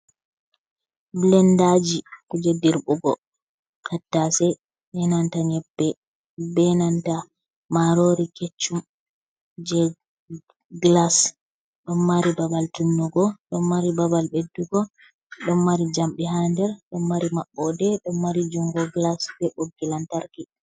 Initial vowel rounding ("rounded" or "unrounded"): unrounded